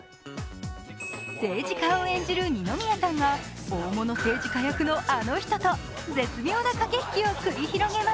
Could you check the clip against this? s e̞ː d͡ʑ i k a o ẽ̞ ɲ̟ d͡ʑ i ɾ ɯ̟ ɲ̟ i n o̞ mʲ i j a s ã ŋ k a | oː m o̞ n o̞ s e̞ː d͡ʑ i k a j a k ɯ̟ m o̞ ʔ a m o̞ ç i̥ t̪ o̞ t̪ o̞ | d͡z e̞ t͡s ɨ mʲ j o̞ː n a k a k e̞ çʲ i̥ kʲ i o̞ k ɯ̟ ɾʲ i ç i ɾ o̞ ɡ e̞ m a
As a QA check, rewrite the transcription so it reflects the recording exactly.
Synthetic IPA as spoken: s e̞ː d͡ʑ i k a o ẽ̞ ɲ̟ d͡ʑ i ɾ ɯ̟ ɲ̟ i n o̞ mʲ i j a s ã ŋ ɡ a | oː m o̞ n o̞ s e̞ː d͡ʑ i k a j a k ɯ̟ n o̞ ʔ a n o̞ ç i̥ t̪ o̞ t̪ o̞ | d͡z e̞ t͡s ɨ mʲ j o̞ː n a k a k e̞ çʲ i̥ kʲ i o̞ k ɯ̟ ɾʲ i ç i ɾ o̞ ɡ e̞ m a